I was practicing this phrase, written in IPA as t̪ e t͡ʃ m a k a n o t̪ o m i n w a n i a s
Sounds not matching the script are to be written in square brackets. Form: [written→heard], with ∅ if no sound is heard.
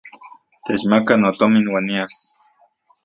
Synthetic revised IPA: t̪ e t͡ʃ m a k a n o t̪ o m i n w a n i a s